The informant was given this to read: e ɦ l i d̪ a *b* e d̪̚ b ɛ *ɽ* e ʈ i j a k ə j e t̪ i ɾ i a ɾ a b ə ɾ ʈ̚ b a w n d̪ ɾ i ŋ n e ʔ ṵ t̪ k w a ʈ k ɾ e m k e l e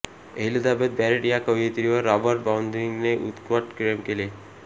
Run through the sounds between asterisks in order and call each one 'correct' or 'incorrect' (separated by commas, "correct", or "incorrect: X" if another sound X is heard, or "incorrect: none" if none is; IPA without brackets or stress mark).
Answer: correct, incorrect: ɾ